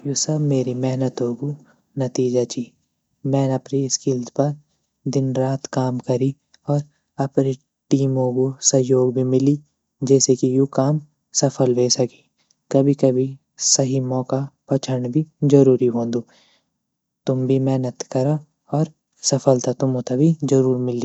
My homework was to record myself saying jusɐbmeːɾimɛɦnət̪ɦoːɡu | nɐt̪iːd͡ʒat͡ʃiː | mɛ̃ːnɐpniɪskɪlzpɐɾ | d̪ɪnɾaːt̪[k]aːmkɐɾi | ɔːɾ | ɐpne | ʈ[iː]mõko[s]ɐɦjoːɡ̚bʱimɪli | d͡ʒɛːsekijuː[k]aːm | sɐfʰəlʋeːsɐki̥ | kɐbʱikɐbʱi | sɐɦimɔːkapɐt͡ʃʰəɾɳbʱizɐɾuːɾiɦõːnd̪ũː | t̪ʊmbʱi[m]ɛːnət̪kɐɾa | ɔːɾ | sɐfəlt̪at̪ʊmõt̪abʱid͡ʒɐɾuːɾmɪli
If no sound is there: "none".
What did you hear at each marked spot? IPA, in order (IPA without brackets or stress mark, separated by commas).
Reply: k, iː, s, k, m